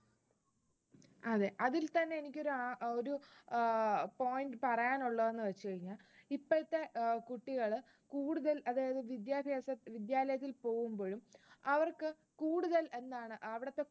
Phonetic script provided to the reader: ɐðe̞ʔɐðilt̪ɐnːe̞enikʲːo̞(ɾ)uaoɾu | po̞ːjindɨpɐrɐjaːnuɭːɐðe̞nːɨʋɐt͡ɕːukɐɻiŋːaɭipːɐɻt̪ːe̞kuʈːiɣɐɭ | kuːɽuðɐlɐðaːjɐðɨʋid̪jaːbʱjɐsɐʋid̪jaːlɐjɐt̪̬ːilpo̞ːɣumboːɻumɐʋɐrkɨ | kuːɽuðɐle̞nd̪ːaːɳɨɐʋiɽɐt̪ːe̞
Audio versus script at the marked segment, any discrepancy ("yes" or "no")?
no